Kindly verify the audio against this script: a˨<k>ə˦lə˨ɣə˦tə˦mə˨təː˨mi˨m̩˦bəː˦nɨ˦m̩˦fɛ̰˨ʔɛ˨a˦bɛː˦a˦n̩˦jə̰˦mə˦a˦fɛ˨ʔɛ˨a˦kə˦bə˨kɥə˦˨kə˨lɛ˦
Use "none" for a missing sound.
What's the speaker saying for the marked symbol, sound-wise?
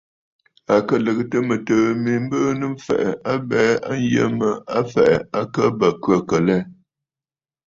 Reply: k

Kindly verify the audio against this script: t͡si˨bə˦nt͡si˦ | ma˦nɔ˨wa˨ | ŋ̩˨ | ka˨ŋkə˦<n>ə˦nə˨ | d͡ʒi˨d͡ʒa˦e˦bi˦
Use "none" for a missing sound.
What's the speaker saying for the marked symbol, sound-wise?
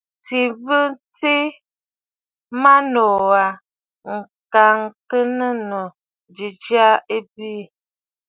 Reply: n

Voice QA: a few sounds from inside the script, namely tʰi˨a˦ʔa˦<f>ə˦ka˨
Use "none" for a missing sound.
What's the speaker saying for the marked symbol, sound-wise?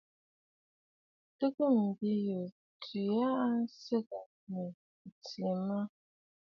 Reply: s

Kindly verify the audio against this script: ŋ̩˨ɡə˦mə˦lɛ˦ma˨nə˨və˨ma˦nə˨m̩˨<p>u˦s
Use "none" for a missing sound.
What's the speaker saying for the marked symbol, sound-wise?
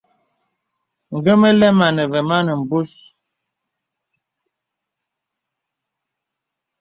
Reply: b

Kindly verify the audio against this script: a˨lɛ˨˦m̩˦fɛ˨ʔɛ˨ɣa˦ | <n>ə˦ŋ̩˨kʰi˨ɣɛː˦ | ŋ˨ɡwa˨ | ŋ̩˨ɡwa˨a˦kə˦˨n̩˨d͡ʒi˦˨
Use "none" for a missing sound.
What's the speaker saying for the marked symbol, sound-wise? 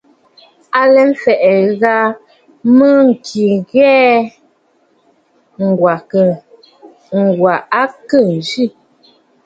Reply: m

